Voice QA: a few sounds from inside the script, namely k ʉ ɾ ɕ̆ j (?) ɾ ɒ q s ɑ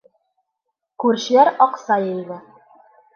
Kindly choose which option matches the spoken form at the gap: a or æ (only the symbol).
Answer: æ